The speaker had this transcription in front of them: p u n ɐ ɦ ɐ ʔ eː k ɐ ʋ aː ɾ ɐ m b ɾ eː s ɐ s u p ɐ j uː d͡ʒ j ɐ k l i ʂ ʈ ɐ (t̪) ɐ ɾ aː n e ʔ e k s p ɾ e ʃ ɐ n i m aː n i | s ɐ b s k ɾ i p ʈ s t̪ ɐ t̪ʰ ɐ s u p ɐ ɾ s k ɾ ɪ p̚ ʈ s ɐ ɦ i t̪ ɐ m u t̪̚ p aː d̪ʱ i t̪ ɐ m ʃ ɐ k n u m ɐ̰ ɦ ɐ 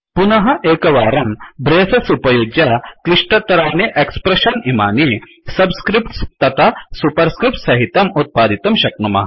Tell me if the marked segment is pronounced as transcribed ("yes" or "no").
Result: yes